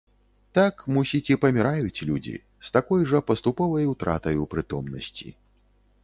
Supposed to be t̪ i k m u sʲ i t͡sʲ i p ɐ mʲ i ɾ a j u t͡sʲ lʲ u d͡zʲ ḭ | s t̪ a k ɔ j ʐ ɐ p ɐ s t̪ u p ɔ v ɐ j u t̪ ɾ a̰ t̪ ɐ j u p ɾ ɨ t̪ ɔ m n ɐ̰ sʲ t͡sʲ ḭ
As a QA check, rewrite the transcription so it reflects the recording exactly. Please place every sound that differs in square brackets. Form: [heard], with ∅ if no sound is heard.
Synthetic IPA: t̪ [a] k m u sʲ i t͡sʲ i p ɐ mʲ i ɾ a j u t͡sʲ lʲ u d͡zʲ ḭ | s t̪ a k ɔ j ʐ ɐ p ɐ s t̪ u p ɔ v ɐ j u t̪ ɾ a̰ t̪ ɐ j u p ɾ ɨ t̪ ɔ m n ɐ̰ sʲ t͡sʲ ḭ